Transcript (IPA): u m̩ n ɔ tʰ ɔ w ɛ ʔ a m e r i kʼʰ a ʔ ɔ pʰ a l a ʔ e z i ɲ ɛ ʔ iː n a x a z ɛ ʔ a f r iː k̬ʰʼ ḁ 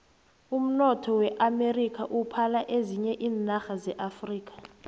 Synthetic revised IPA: u m̩ n ɔ tʰ ɔ w ɛ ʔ a m e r i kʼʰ a ʔ u pʰ a l a ʔ e z i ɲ ɛ ʔ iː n a x a z ɛ ʔ a f r iː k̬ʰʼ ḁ